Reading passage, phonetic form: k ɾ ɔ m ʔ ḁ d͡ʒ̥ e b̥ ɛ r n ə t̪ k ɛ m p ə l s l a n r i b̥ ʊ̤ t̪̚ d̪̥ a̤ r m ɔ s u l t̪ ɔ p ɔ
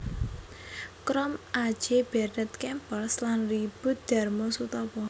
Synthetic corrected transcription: k ɾ ɔ m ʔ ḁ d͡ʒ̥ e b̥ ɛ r n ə t̪ k ɛ m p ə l s l a n r i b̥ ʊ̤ t̪̚ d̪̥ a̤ r m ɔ s u t̪ ɔ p ɔ

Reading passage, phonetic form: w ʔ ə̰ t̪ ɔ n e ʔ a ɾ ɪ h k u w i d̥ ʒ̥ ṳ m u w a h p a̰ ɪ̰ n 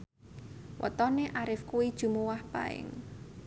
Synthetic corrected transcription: w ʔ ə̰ t̪ ɔ n e ʔ a ɾ ɪ f k u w i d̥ ʒ̥ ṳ m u w a h p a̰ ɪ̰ ŋ

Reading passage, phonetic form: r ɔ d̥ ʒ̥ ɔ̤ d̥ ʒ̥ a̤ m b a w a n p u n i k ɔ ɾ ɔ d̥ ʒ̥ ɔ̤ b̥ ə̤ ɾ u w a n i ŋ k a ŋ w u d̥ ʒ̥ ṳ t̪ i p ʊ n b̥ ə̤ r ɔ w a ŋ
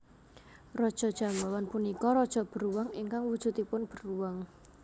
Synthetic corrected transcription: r ɔ d̥ ʒ̥ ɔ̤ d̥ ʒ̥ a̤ m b a w a n p u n i k ɔ ɾ ɔ d̥ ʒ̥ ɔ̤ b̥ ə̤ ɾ u w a ŋ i ŋ k a ŋ w u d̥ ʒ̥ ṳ t̪ i p ʊ n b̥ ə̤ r u w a ŋ

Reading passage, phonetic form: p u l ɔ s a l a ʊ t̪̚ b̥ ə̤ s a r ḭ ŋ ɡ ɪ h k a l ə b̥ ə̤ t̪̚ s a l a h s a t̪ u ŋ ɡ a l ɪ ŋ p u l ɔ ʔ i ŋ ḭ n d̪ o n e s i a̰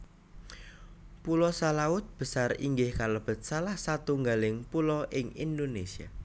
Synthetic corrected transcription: p u l ɔ s a l a ʊ t̪̚ b̥ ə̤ s a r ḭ ŋ ɡ ɪ h k a l ə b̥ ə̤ t̪̚ s a l a h s a t̪ u ŋ ɡ a l ɪ ŋ p u l ɔ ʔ ɪ ŋ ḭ n d̪ o n e s i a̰

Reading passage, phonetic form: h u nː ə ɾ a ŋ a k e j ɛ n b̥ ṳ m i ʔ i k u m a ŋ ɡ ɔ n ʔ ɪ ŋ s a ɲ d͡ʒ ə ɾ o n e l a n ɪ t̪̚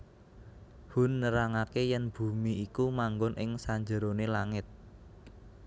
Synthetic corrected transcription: h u nː ə ɾ a ŋ a k e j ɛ n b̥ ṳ m i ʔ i k u m a ŋ ɡ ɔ n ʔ ɪ ŋ s a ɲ d͡ʒ ə ɾ o n e l a ŋ ɪ t̪̚

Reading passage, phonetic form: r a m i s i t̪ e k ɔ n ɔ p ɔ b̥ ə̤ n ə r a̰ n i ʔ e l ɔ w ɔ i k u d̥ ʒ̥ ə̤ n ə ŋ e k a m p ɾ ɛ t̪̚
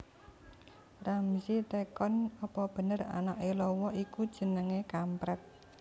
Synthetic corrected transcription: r a m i s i t̪ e k ɔ n ɔ p ɔ b̥ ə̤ n ə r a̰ n a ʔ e l ɔ w ɔ i k u d̥ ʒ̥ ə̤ n ə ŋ e k a m p ɾ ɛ t̪̚

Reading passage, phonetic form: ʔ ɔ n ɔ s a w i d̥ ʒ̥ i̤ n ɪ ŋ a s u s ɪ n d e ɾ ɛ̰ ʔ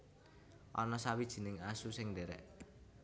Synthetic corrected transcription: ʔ ɔ n ɔ s a w i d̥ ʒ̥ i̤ n ɪ ŋ a s u s ɪ ŋ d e ɾ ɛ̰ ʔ

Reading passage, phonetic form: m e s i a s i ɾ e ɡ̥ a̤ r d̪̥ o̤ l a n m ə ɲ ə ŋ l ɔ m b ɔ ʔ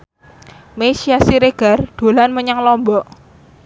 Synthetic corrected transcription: m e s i a s i ɾ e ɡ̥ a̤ r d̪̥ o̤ l a n m ə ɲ a ŋ l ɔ m b ɔ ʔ

